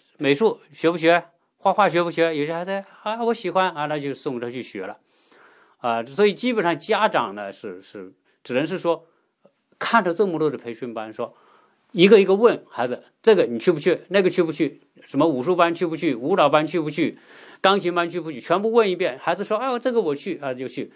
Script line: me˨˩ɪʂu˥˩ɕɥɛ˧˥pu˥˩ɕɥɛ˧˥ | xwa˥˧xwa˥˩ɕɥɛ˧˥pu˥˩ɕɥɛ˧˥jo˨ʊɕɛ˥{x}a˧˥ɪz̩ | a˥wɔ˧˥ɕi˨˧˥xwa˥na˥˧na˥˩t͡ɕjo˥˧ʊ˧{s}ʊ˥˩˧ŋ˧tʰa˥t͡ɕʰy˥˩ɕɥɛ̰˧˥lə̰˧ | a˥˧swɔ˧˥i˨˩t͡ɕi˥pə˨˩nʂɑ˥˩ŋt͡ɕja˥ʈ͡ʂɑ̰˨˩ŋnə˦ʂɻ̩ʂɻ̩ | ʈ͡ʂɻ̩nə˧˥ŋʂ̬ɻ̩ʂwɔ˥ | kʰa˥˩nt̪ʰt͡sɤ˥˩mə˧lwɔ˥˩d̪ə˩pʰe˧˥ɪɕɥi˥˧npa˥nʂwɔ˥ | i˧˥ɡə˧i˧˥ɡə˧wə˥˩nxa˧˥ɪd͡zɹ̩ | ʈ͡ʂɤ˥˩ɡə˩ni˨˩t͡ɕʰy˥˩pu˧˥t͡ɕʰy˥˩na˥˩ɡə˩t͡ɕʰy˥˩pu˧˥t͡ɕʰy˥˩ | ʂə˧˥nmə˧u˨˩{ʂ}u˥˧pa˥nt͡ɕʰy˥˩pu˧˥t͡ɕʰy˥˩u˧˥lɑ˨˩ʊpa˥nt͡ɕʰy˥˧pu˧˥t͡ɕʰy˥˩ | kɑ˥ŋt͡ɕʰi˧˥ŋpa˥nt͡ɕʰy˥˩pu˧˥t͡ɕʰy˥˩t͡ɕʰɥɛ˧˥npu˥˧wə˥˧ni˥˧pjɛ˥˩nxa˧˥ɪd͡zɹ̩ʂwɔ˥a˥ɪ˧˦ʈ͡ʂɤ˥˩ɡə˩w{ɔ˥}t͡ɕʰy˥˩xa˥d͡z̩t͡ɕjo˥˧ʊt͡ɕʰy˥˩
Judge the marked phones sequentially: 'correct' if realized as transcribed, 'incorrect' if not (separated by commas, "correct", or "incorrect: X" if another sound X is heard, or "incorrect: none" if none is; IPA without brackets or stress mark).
correct, correct, correct, incorrect: ɔ˨˩